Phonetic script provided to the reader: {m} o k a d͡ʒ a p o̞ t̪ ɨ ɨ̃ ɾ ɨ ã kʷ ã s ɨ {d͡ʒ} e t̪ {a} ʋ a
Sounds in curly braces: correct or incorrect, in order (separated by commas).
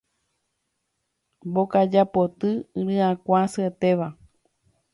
incorrect, incorrect, incorrect